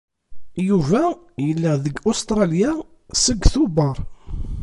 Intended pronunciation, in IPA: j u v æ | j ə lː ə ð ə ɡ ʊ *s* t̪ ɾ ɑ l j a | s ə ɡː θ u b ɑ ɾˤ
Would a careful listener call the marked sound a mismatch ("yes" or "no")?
no